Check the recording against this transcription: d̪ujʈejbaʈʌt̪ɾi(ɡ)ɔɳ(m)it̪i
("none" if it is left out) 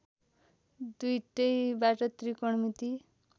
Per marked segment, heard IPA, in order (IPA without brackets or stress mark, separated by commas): k, m